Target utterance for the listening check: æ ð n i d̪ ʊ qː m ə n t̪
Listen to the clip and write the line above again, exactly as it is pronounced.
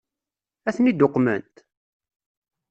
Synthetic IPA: æ θ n i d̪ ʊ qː m ə n t̪